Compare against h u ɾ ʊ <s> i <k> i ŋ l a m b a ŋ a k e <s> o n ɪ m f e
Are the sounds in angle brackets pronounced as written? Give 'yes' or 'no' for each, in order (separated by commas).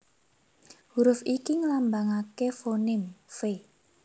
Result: no, yes, no